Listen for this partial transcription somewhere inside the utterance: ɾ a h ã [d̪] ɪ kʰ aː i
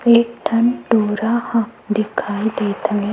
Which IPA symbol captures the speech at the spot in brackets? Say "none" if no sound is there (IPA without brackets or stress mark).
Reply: d̪